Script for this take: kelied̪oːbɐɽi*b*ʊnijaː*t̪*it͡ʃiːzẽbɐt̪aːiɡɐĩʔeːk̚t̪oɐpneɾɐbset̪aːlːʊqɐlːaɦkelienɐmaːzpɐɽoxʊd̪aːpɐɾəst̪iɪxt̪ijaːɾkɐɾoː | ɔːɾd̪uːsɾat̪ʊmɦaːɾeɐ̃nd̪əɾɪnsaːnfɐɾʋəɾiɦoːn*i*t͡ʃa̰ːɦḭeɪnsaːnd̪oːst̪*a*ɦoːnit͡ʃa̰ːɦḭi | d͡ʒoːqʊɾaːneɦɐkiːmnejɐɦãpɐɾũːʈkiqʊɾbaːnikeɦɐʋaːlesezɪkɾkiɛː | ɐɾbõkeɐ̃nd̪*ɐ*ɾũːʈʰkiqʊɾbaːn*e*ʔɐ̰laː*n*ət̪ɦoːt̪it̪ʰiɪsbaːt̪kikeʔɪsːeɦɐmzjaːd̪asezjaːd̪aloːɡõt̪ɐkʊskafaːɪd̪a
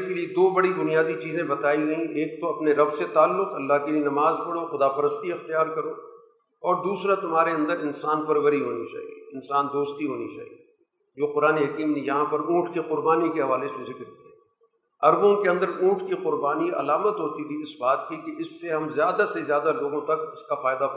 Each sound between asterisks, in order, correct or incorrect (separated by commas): correct, incorrect, correct, incorrect, incorrect, incorrect, incorrect